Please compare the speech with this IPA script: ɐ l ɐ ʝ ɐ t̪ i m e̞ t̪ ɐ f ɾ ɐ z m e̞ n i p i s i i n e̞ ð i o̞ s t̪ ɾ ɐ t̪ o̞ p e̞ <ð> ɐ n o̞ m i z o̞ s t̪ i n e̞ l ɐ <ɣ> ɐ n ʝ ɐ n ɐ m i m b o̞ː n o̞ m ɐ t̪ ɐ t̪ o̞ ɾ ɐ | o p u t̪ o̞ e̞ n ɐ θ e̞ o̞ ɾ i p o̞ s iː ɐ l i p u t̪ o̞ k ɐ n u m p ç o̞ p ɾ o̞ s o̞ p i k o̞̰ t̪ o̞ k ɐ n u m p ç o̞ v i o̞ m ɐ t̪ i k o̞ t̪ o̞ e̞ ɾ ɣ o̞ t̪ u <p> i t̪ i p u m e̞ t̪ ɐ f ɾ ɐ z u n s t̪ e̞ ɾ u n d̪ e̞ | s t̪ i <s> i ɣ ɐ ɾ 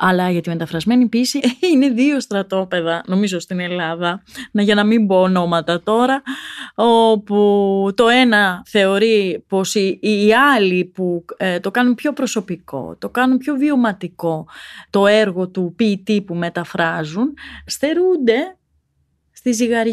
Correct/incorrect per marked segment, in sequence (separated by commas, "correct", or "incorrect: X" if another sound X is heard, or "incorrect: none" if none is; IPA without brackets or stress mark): correct, incorrect: ð, correct, incorrect: z